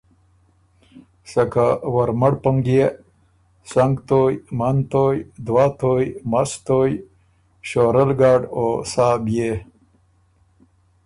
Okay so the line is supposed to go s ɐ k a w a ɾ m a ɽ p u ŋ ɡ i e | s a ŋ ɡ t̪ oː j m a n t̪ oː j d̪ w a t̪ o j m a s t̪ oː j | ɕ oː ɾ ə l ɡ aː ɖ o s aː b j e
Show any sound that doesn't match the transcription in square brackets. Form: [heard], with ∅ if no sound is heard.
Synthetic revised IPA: s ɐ k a w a ɾ m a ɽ p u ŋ ɡ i e | s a ŋ ɡ t̪ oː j m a n t̪ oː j d̪ w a t̪ o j m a s t̪ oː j | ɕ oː ɾ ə l ɡ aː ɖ o s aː b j e